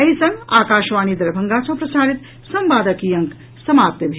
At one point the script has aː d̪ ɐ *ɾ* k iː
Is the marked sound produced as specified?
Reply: no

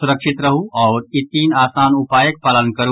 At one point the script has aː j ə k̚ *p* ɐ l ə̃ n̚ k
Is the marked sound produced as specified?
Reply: yes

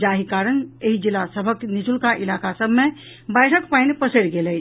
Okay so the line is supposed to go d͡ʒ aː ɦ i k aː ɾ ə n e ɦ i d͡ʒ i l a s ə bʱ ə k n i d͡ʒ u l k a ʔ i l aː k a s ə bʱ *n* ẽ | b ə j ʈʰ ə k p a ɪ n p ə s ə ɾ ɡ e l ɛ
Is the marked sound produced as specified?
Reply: no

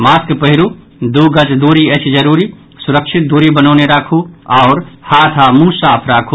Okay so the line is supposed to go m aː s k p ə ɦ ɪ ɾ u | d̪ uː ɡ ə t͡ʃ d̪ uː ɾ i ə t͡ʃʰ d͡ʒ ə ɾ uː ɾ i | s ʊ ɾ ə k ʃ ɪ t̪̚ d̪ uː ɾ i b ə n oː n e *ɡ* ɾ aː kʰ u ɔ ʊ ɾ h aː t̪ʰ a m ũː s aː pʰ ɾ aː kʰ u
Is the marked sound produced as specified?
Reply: no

